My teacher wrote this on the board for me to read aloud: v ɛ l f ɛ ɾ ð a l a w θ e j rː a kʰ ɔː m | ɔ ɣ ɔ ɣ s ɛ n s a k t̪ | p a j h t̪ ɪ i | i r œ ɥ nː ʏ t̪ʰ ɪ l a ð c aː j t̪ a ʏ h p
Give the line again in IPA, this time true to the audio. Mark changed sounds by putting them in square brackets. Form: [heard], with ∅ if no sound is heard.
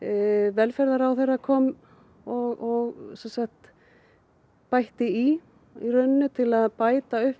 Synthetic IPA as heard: v ɛ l f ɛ ɾ ð a [ɾ] a w θ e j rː a kʰ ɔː m | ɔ ɣ ɔ ɣ s ɛ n s a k t̪ | p a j h t̪ ɪ i | i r œ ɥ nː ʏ t̪ʰ ɪ l a ð [p] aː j t̪ a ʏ h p